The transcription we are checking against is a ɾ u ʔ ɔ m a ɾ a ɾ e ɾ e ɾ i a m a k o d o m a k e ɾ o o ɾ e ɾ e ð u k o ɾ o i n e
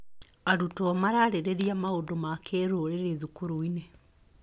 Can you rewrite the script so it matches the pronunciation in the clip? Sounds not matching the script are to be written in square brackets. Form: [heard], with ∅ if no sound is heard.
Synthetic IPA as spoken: a ɾ u [t] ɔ m a ɾ a ɾ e ɾ e ɾ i a m a [∅] o d o m a k e ɾ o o ɾ e ɾ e ð u k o ɾ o i n e